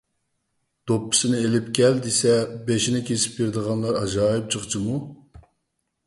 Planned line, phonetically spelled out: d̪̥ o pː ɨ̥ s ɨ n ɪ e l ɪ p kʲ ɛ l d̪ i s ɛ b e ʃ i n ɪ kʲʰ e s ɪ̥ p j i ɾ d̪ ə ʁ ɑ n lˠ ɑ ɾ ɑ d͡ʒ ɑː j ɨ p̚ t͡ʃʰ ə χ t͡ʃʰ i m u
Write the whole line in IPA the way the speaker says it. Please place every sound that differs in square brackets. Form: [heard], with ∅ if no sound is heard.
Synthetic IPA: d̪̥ o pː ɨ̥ s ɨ n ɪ e l ɪ p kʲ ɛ l d̪ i s ɛ b e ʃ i n ɪ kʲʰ e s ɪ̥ p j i ɾ d̪ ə ʁ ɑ n lˠ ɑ ɾ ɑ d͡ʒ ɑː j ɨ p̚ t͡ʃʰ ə χ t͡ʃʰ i m u